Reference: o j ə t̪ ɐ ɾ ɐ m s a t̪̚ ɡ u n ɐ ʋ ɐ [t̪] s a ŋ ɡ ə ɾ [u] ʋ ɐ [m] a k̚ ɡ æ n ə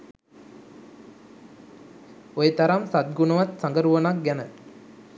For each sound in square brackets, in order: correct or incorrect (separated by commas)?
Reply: correct, correct, incorrect